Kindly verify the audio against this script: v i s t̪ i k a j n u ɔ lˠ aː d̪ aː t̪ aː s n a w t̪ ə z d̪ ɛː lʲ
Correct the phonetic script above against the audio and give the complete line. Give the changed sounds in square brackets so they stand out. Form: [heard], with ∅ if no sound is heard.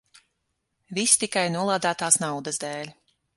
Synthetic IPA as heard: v i s t̪ i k a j n u ɔ lˠ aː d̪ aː t̪ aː s n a w [d̪] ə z d̪ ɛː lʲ